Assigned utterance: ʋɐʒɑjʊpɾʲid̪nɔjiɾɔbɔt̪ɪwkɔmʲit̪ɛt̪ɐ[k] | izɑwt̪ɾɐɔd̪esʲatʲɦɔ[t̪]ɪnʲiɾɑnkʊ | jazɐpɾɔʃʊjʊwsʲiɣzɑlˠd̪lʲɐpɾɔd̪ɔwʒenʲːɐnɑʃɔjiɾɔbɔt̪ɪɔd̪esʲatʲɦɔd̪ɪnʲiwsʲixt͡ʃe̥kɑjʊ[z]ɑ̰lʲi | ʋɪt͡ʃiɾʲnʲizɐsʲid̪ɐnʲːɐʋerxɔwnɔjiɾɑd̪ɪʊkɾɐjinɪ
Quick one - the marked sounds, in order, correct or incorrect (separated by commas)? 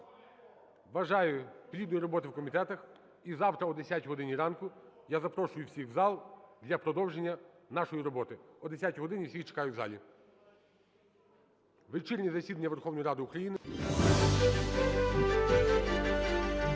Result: incorrect, incorrect, correct